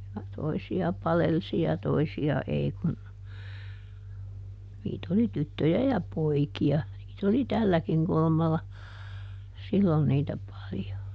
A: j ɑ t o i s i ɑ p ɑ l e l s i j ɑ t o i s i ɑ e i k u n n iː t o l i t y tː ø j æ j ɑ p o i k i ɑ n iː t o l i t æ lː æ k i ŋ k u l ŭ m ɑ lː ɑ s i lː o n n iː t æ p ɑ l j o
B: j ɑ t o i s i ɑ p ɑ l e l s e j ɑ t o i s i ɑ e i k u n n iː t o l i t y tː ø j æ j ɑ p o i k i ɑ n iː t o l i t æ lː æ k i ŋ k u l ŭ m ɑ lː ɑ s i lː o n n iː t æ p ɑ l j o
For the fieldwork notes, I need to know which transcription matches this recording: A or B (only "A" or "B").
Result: A